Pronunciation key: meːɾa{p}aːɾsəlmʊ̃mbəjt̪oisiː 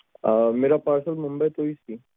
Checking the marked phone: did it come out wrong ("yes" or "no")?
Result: no